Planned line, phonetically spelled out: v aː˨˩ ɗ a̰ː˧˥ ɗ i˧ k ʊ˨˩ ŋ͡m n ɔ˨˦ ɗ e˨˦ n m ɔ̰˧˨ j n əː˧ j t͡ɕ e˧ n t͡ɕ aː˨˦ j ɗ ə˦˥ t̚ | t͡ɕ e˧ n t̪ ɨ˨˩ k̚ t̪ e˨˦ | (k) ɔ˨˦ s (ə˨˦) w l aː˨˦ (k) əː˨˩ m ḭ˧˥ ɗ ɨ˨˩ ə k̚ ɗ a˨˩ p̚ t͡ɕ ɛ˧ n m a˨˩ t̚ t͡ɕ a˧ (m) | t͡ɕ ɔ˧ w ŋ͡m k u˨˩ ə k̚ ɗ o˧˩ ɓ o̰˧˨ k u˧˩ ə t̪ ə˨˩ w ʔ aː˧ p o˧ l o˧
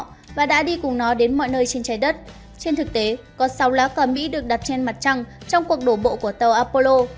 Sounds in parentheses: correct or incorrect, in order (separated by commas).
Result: correct, incorrect, correct, incorrect